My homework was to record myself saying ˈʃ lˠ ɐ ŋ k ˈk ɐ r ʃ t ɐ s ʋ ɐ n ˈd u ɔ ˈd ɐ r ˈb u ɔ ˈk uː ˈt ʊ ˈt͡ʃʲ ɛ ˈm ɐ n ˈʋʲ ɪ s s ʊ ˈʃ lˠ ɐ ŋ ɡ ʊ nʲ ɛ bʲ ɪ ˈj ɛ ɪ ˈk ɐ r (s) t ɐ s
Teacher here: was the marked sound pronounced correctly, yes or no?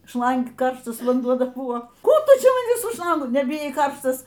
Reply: no